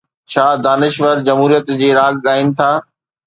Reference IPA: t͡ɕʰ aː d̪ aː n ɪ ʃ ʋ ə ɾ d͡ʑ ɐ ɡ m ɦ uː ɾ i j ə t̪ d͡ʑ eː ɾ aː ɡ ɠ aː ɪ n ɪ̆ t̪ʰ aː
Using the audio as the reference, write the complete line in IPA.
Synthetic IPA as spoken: t͡ɕʰ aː d̪ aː n ɪ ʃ ʋ ə ɾ d͡ʑ ɐ m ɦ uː ɾ i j ə t̪ d͡ʑ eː ɾ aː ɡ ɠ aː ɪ n ɪ̆ t̪ʰ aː